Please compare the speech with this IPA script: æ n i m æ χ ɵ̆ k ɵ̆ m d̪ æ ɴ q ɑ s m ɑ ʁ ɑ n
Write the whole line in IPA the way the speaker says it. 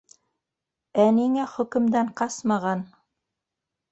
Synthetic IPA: æ n i ŋ æ χ ɵ̆ k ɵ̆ m d̪ æ ɴ q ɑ s m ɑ ʁ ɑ n

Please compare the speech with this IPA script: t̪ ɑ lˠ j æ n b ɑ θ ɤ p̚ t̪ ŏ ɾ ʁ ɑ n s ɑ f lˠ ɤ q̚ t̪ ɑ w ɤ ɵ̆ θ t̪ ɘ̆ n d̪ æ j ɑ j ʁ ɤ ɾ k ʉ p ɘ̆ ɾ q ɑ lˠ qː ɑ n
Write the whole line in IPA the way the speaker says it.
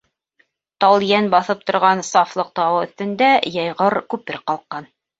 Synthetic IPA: t̪ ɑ lˠ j æ n b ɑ θ ɤ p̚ t̪ ŏ ɾ ʁ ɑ n s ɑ f lˠ ɤ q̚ t̪ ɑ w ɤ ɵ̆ θ t̪ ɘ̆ n d̪ æ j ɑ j ʁ ɤ ɾ k ʉ p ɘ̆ ɾ q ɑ lˠ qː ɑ n

